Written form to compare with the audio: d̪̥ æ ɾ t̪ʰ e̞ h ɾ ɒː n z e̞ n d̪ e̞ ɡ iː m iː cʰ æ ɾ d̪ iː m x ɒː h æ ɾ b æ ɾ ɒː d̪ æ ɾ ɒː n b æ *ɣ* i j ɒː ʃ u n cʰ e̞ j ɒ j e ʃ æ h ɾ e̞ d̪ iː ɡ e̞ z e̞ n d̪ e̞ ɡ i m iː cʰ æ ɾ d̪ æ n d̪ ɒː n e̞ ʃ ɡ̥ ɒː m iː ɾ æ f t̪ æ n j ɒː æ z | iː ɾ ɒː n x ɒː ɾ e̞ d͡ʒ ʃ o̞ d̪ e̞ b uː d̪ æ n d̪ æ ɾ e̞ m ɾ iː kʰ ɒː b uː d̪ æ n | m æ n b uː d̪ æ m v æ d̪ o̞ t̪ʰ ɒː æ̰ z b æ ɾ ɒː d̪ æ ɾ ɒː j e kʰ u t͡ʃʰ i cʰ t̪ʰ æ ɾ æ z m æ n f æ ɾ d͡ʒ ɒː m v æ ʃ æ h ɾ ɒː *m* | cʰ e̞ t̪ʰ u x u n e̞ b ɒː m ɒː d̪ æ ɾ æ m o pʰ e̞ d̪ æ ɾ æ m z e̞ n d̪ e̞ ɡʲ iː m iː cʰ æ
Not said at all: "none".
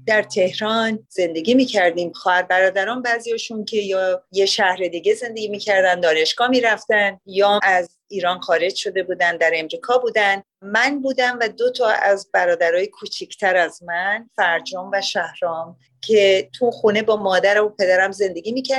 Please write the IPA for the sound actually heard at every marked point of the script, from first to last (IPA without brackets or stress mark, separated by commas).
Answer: z, m